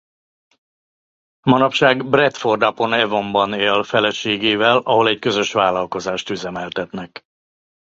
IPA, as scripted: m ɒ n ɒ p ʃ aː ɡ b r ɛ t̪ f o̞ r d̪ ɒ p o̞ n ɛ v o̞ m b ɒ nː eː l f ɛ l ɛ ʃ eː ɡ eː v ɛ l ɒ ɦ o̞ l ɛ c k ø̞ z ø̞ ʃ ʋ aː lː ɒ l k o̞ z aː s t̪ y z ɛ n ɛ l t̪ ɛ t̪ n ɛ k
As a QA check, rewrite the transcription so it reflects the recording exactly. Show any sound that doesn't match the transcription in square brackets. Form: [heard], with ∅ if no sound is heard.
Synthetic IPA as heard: m ɒ n ɒ p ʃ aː ɡ b r ɛ t̪ f o̞ r d̪ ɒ p o̞ n ɛ v o̞ m b ɒ [n] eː l f ɛ l ɛ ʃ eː ɡ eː v ɛ l ɒ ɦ o̞ l ɛ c k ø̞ z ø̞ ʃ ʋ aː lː ɒ l k o̞ z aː [ʃ] t̪ y z ɛ [m] ɛ l t̪ ɛ t̪ n ɛ k